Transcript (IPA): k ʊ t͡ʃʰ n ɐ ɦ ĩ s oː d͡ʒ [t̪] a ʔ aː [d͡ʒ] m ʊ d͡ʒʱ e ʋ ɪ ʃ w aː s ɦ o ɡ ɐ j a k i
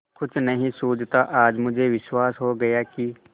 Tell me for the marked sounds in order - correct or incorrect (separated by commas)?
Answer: correct, correct